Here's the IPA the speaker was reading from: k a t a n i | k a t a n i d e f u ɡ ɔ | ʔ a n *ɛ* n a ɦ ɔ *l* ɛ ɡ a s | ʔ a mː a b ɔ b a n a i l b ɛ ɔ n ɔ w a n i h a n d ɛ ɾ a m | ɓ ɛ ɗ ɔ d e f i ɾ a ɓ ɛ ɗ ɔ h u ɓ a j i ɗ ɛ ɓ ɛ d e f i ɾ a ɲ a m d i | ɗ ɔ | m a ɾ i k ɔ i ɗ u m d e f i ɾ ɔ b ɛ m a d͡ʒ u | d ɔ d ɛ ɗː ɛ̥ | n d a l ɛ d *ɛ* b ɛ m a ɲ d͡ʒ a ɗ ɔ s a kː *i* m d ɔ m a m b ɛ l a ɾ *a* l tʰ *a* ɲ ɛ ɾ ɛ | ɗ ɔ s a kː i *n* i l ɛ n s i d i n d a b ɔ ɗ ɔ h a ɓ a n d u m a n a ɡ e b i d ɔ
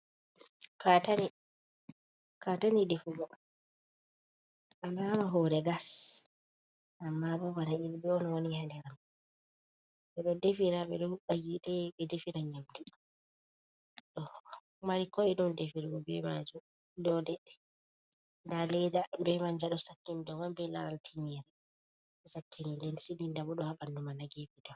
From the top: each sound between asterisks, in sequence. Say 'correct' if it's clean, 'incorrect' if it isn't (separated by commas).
incorrect, incorrect, incorrect, correct, correct, incorrect, correct